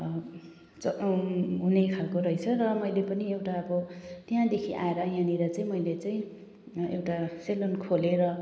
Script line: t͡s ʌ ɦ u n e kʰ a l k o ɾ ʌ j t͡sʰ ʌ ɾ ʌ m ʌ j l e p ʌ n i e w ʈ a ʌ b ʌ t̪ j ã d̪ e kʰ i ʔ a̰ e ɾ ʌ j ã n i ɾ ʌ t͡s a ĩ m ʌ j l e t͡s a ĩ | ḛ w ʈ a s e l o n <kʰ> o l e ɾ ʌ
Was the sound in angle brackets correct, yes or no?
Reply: yes